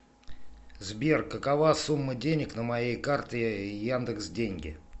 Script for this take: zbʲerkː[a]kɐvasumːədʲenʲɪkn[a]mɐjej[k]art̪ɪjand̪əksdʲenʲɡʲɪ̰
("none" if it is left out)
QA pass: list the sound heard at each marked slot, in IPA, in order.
ə, ə, k

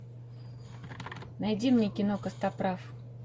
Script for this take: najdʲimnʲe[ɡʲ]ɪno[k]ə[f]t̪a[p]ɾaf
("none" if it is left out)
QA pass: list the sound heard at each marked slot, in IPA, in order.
kʲ, k, s, p

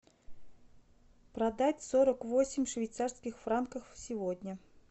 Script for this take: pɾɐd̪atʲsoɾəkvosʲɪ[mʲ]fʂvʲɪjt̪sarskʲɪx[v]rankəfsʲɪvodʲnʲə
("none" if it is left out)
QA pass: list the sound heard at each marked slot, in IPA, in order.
mʲ, f

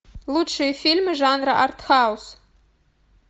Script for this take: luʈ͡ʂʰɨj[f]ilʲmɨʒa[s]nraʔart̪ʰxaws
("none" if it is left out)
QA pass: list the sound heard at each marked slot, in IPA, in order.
f, none

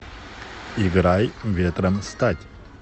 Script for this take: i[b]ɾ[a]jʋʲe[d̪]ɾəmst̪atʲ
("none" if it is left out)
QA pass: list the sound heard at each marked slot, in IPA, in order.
ɡ, a, t̪

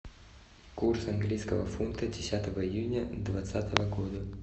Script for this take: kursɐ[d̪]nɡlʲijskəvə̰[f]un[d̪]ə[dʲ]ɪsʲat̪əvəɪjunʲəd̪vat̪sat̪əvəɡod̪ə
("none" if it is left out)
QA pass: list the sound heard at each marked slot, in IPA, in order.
none, f, t̪, dʲ

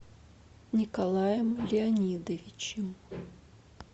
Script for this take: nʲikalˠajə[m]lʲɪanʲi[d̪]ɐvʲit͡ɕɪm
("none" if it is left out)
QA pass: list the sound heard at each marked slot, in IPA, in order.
m, d̪

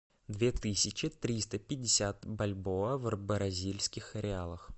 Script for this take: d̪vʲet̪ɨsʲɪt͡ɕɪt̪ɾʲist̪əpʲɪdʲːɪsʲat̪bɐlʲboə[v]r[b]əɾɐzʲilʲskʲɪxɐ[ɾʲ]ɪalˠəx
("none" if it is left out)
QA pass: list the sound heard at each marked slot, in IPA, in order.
v, b, ɾʲ

